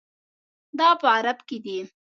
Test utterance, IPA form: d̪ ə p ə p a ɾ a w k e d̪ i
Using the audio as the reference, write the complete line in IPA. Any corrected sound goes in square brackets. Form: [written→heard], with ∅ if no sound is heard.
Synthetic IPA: d̪ [ə→ɑ] p ə [p→∅] a ɾ a [w→b] k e d̪ i